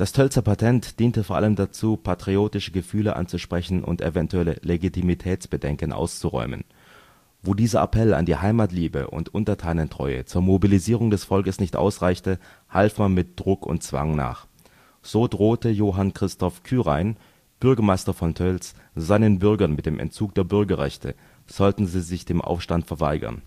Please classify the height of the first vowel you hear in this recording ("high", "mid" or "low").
low